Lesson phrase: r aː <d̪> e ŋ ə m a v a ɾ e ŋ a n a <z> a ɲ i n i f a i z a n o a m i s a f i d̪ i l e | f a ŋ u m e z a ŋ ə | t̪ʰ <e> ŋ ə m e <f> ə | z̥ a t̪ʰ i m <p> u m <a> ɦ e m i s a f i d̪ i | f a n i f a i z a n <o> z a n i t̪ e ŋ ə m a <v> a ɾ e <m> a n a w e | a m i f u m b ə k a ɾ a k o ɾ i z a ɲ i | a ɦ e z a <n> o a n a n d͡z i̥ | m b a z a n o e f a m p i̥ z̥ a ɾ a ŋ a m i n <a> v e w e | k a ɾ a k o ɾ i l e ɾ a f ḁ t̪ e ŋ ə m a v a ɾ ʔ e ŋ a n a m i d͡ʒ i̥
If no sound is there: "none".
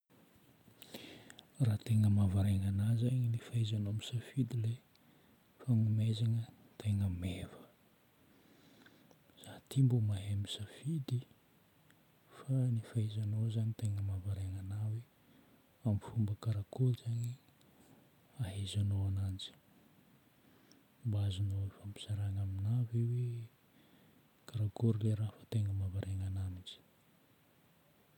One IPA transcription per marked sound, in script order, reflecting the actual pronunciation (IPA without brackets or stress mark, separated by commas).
t̪, z, e, v, b, a, o, v, ŋ, n, a